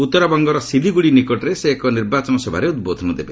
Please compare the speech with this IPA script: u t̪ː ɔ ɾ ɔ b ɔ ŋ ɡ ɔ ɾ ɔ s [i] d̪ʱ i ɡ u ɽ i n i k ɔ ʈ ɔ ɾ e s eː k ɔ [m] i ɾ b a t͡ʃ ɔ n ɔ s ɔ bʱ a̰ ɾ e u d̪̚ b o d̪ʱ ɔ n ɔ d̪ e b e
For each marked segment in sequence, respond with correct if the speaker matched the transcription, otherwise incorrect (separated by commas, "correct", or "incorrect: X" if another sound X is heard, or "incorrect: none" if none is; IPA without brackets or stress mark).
correct, incorrect: n